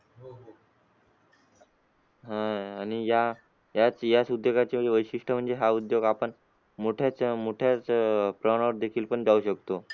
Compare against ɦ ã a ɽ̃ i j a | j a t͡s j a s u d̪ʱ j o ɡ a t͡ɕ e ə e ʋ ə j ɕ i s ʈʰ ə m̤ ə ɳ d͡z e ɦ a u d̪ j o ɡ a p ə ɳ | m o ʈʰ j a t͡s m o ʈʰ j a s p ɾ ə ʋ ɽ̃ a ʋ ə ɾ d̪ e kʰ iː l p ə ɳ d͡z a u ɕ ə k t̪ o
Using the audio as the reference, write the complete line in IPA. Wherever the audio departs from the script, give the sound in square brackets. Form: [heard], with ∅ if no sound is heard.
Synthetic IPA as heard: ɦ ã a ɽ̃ i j a | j a t͡s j a s u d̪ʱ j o ɡ a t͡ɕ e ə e ʋ ə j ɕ i [ʂ] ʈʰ ə m̤ ə ɳ d͡z e ɦ a u d̪ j o ɡ a p ə ɳ | m o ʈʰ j a t͡s m o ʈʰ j a [t͡s] p ɾ ə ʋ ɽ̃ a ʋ ə ɾ d̪ e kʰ iː l p ə ɳ d͡z a u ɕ ə k t̪ o

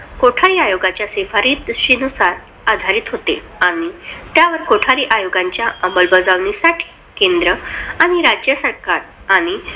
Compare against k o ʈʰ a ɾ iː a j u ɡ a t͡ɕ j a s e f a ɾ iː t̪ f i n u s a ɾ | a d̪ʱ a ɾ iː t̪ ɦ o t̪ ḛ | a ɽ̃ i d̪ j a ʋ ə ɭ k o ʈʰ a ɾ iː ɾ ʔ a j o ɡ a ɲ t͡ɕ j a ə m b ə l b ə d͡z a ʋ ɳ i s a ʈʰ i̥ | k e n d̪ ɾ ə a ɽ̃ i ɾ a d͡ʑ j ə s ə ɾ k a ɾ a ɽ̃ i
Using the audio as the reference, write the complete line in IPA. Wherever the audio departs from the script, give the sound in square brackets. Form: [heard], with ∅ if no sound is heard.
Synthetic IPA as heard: k o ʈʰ a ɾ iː a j [o] ɡ a t͡ɕ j a s e f a ɾ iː t̪ [ɕ] i n u s a ɾ | a d̪ʱ a ɾ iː t̪ ɦ o t̪ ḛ | a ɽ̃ i [t̪] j a ʋ ə [ɾ] k o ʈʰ a ɾ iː [∅] ʔ a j o ɡ a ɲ t͡ɕ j a ə m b ə l b ə d͡z a ʋ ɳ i s a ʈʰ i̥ | k e n d̪ ɾ ə a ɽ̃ i ɾ a d͡ʑ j ə s ə ɾ k a ɾ a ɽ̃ i

